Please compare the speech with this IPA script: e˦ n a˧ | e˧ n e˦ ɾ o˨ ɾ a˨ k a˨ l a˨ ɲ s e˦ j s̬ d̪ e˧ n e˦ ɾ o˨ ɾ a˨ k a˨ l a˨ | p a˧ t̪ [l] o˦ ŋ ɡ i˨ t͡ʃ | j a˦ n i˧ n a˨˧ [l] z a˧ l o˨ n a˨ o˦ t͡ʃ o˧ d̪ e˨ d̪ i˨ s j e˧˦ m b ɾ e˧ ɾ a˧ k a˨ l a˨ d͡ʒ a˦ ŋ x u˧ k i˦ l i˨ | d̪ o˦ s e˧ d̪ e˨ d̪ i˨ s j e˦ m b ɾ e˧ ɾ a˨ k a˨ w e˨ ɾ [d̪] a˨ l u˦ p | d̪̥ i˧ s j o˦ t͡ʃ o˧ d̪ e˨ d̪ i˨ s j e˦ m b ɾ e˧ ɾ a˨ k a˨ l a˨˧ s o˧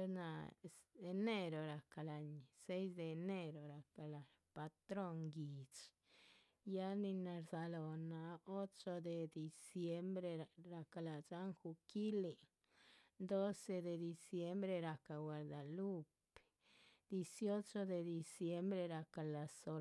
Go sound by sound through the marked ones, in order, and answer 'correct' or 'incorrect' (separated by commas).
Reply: incorrect, incorrect, correct